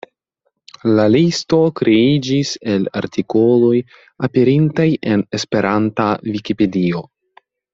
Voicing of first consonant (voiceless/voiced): voiced